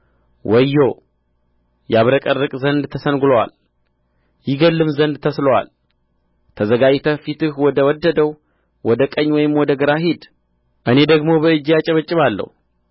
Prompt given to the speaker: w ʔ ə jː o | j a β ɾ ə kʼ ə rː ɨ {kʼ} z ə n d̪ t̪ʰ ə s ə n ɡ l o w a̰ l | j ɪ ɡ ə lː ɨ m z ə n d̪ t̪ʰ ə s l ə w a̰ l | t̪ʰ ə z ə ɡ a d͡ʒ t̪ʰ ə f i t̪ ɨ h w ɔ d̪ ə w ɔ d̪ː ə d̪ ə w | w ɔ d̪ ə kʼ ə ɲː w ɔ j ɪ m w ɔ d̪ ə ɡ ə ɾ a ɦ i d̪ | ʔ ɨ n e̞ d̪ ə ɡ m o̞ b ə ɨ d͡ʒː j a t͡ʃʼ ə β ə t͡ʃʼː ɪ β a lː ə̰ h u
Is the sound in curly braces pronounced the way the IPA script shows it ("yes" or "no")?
yes